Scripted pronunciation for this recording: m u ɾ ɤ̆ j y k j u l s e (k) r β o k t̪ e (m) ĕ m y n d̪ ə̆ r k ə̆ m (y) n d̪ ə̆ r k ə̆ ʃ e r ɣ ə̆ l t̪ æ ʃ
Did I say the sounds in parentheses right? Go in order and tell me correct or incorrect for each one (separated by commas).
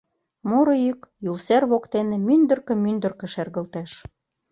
incorrect, incorrect, correct